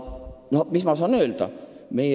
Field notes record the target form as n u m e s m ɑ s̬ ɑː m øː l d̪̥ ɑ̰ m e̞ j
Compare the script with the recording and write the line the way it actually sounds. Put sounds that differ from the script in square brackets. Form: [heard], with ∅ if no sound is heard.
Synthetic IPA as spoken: n [o] m [i] s m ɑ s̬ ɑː [n] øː l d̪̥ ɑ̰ m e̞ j